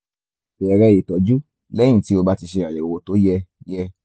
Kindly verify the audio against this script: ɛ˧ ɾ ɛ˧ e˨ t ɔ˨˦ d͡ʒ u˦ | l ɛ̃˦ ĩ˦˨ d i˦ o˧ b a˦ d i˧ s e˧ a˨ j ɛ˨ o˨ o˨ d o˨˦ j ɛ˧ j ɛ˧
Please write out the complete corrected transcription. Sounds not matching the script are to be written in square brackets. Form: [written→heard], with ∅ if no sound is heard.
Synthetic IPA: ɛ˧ ɾ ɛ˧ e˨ t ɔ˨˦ d͡ʒ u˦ | l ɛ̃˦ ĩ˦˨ [d→t] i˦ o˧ b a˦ [d→t] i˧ [s→ʃ] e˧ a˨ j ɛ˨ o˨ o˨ [d→t] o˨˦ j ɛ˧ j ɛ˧